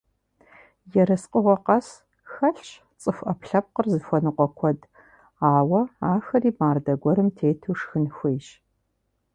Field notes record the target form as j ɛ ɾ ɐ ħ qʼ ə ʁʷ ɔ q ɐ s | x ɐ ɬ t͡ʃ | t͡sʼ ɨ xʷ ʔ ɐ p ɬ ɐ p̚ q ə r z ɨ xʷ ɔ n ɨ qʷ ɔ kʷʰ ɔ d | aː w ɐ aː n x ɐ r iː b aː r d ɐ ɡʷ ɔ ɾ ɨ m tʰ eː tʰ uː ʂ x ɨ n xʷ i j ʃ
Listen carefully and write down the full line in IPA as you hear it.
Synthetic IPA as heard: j ɛ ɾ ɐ s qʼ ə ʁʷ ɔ q ɐ s | x ɐ ɬ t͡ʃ | t͡sʼ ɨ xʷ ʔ ɐ p ɬ ɐ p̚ q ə r z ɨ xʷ ɔ n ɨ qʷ ɔ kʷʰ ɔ d | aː w ɐ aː x ɐ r iː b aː r d ɐ ɡʷ ɔ ɾ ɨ m tʰ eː tʰ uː ʂ x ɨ n xʷ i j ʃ